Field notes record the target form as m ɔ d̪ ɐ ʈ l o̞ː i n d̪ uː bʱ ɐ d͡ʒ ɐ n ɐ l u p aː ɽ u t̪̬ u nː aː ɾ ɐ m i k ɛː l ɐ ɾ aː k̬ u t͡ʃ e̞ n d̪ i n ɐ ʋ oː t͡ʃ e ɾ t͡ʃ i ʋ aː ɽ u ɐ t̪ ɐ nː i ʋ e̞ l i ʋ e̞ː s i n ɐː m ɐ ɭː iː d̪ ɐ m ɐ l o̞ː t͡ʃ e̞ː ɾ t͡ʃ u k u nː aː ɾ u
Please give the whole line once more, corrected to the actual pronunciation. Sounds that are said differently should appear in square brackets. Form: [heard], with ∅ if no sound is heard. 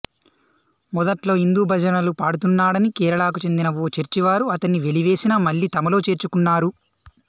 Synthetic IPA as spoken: m ɔ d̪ ɐ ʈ l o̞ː i n d̪ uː bʱ ɐ d͡ʒ ɐ n ɐ l u p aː ɽ u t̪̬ u nː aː [ɽ] ɐ [n] i k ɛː [ɾ] ɐ [ɭ] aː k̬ u t͡ʃ e̞ n d̪ i n ɐ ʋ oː t͡ʃ e ɾ t͡ʃ i ʋ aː [ɾ] u ɐ t̪ ɐ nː i ʋ e̞ l i ʋ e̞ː s i n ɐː m ɐ ɭː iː [t̪] ɐ m ɐ l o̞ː t͡ʃ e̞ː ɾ t͡ʃ u k u nː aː ɾ u